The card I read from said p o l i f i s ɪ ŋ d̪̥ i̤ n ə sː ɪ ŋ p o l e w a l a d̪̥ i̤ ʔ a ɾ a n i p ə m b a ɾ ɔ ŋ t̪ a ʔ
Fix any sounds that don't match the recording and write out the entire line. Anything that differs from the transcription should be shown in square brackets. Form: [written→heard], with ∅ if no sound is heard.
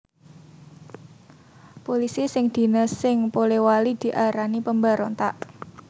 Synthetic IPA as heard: p o l i [f→s] i s ɪ ŋ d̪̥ i̤ n ə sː ɪ ŋ p o l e w a l [a→i] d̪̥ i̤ ʔ a ɾ a n i p ə m b a ɾ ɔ [ŋ→n] t̪ a ʔ